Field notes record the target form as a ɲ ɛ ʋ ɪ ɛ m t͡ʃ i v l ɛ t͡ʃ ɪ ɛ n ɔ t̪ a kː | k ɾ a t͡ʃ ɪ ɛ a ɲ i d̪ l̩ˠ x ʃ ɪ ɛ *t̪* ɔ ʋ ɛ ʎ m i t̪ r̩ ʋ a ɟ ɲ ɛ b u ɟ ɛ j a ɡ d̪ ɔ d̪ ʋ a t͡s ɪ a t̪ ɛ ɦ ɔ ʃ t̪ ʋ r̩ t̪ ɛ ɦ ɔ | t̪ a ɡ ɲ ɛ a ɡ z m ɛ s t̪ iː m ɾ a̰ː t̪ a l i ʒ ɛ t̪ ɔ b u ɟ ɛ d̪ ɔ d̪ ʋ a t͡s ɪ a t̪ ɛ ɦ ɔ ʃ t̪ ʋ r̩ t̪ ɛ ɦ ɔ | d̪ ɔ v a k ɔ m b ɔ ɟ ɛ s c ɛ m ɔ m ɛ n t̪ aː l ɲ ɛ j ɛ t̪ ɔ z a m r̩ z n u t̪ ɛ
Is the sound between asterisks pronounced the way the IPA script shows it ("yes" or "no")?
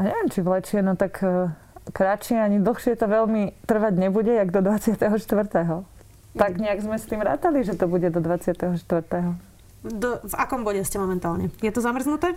yes